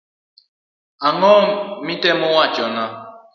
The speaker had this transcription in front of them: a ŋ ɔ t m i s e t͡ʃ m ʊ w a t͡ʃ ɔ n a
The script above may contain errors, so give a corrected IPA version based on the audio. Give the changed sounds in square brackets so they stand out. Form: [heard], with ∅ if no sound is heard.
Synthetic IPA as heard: a ŋ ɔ [∅] m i [t] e [∅] m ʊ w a t͡ʃ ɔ n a